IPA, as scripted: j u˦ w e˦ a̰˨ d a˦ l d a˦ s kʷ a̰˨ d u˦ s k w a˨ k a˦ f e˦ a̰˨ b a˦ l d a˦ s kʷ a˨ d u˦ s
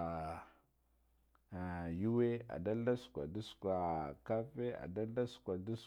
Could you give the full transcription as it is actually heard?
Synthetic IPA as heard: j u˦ w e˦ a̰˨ d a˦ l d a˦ s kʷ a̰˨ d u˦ s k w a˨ k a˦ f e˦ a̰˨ d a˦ l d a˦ s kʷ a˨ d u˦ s